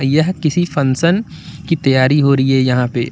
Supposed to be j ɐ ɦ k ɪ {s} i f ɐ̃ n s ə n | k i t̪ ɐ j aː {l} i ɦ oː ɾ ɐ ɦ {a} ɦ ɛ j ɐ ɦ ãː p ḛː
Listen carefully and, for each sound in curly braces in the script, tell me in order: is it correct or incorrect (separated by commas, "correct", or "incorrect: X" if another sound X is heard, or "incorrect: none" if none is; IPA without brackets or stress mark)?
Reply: correct, incorrect: ɾ, incorrect: i